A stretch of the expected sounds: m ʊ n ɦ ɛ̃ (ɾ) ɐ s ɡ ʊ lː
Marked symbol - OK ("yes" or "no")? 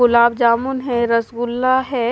yes